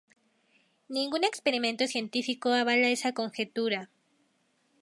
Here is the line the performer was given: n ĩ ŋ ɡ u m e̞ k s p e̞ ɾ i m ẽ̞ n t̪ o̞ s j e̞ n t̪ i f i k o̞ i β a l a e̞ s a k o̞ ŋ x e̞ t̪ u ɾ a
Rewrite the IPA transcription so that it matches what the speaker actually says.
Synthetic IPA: n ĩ ŋ ɡ u n e̞ k s p e̞ ɾ i m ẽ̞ n t̪ o̞ s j e̞ n t̪ i f i k o̞ a β a l a e̞ s a k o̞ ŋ x e̞ t̪ u ɾ a